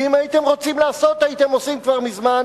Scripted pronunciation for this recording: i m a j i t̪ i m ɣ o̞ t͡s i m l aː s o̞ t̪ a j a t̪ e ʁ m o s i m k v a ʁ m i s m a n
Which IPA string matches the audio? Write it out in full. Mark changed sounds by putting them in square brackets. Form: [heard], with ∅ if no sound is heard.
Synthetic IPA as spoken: i m a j i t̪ [e] m [ʁ] o̞ t͡s i m l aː s o̞ t̪ a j [i] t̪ e [∅] m o s i m k v a ʁ m i [z] m a n